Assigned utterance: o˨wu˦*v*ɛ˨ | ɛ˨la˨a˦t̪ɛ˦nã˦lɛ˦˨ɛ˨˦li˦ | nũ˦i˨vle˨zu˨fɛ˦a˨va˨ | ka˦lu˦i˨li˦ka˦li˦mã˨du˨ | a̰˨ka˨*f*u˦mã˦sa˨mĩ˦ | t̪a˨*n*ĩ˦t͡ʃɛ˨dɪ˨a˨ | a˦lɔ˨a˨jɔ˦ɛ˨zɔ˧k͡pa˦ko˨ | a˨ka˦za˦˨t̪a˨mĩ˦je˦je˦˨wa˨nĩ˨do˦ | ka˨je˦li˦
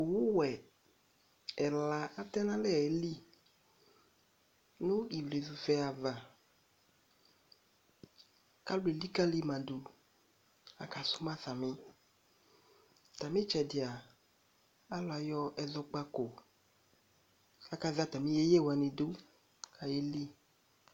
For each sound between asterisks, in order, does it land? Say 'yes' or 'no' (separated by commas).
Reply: no, no, no